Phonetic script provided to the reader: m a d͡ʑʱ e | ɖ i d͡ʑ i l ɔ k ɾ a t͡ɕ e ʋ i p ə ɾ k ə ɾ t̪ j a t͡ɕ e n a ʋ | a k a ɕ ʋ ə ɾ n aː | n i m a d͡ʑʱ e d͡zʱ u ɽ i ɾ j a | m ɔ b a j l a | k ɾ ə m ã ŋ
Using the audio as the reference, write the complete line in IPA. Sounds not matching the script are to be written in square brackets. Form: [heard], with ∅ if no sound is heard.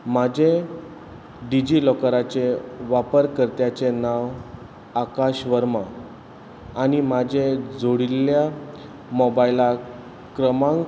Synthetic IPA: m a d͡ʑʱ e | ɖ i d͡ʑ i l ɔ k ɾ a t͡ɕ e ʋ [a] p ə ɾ k ə ɾ t̪ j a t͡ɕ e n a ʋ | a k a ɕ ʋ ə ɾ [m] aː | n i m a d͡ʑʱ e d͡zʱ [o] ɽ i [l] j a | m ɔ b a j l a | k ɾ ə m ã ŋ